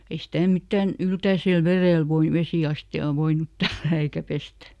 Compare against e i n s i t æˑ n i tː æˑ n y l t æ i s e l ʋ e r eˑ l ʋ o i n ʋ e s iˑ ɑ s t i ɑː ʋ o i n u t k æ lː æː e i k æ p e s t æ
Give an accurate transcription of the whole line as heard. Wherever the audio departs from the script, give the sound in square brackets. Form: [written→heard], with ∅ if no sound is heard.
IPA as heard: e i [n→∅] s i t æˑ [n→m] i tː æˑ n y l t æ i s e l ʋ e r eˑ l ʋ o i n ʋ e s iˑ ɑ s t i ɑː ʋ o i n u t [k→t] æ lː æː e i k æ p e s t æ